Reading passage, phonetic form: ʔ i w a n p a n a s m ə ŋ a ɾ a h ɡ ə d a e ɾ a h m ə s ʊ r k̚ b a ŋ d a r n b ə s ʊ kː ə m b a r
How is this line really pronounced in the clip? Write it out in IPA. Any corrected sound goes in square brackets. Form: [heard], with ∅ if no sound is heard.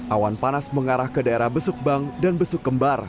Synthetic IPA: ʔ [a] w a n p a n a s m ə ŋ a ɾ a h [k] ə d a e ɾ a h [b] ə s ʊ [∅] k̚ b a ŋ d a [∅] n b ə s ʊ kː ə m b a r

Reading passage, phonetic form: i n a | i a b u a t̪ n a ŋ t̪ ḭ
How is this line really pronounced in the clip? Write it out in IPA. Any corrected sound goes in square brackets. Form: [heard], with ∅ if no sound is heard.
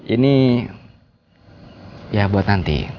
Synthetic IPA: i n [i] | [j] a b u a t̪ n a [n] t̪ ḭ

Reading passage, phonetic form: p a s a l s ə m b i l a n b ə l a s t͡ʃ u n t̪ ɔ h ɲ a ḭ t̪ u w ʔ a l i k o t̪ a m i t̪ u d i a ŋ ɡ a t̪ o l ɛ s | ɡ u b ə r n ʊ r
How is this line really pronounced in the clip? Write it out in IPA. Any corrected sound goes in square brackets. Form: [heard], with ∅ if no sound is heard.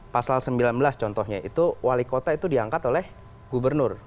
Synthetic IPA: p a s a l s ə m b i l a n b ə l a s t͡ʃ [ɔ] n t̪ ɔ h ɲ a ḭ t̪ u w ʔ a l i k o t̪ a [∅] i t̪ u d i a ŋ [k] a t̪ o l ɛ [h] | ɡ u b ə r n ʊ r

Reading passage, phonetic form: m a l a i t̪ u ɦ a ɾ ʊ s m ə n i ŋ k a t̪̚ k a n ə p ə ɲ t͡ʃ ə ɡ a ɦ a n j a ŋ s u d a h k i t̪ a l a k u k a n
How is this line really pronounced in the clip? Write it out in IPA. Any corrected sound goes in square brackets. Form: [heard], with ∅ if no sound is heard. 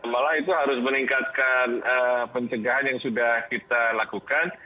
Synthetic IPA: m a l a i t̪ u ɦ a ɾ ʊ s m ə n i ŋ k a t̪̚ k a n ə p ə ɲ t͡ʃ ə ɡ a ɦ a n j a ŋ s u d a h k i t̪ a l a k u k a n

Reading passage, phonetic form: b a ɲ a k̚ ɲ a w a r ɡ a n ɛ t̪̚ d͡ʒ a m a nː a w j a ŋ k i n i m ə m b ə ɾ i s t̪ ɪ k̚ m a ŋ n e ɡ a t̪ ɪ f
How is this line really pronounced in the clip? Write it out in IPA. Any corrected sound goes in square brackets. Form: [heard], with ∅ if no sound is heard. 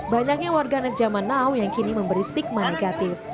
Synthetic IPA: b a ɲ a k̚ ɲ a w a r ɡ a n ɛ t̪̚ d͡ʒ a m a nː a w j a ŋ k i n i m ə m b ə ɾ i s t̪ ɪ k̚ m a [∅] n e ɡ a t̪ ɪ f

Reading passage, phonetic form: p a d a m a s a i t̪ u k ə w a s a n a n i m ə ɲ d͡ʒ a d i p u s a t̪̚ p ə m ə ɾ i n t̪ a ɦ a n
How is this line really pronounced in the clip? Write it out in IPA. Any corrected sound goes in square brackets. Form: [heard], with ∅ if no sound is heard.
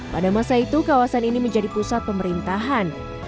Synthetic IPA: p a d a m a s a i t̪ u k [a] w a s a n [i] n i m ə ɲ d͡ʒ a d i p u s a t̪̚ p ə m ə ɾ i n t̪ a ɦ a n

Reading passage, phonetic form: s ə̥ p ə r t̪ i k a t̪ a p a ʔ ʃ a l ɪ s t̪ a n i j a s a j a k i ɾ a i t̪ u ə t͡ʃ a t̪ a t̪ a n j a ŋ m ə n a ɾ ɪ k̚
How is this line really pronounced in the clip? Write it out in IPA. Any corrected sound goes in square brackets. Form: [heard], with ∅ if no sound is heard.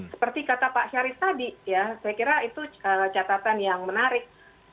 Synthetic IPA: s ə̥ p ə r t̪ i k a t̪ a p a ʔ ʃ a [ɾ] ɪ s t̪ a [d] i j a s a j a k i ɾ a i t̪ u ə t͡ʃ a t̪ a t̪ a n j a ŋ m ə n a ɾ ɪ k̚

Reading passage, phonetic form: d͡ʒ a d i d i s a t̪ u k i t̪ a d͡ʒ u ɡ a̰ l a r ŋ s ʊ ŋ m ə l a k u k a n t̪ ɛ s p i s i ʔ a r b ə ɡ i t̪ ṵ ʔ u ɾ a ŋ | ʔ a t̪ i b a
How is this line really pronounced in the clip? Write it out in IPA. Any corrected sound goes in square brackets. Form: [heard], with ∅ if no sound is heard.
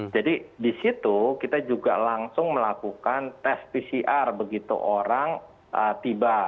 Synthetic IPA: d͡ʒ a d i d i s [i] t̪ u k i t̪ a d͡ʒ u ɡ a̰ l a [∅] ŋ s ʊ ŋ m ə l a k u k a n t̪ ɛ s p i s i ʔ a r b ə ɡ i t̪ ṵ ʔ [o] ɾ a ŋ | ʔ [ə] t̪ i b a

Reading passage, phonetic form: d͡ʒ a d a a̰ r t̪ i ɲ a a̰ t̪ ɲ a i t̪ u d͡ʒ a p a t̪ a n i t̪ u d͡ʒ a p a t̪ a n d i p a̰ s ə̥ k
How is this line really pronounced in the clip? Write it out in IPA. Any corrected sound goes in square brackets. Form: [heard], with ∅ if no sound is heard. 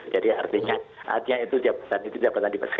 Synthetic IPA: d͡ʒ a d [i] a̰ r t̪ i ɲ a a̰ t̪ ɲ a i t̪ u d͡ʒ a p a t̪ a n i t̪ u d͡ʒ a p a t̪ a n d i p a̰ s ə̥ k

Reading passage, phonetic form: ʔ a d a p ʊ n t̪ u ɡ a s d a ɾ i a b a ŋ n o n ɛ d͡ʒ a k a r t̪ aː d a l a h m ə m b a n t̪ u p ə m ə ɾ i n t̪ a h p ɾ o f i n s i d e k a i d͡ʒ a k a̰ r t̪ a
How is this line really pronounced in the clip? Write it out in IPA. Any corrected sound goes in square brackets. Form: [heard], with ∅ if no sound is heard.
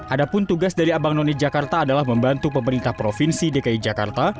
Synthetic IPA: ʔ a d a p ʊ n t̪ u ɡ a s d a ɾ i a b a ŋ n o n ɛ d͡ʒ a k a r t̪ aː d a l a h m ə m b a n t̪ u p ə m ə ɾ i n t̪ a h p ɾ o f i n s i d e k a i d͡ʒ a k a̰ r t̪ a

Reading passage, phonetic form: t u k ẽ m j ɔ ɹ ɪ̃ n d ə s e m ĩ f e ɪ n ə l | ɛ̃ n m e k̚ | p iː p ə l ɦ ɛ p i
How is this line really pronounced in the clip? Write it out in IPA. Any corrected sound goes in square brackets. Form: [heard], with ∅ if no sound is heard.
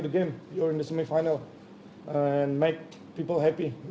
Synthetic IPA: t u [ɡ] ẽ m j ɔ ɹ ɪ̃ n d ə s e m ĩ f [a] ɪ n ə l | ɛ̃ n m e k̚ | p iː p ə l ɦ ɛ p i

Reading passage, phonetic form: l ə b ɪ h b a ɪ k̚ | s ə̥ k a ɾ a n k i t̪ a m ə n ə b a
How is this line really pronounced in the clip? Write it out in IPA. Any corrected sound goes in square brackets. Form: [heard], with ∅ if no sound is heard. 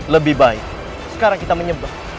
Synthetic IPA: l ə b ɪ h b a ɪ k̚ | s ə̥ k a ɾ a [ŋ] k i t̪ a m ə [ɲ] ə b a

